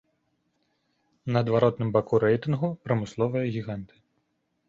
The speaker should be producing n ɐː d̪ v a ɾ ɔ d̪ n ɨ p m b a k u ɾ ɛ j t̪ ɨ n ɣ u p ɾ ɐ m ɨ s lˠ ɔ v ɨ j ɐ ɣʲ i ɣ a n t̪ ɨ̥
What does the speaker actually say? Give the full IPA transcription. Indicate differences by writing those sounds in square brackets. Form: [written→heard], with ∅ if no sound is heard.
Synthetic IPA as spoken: n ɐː d̪ v a ɾ ɔ [d̪→t̪] n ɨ [p→∅] m b a k u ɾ ɛ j t̪ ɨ n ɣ u p ɾ ɐ m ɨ s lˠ ɔ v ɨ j ɐ ɣʲ i ɣ a n t̪ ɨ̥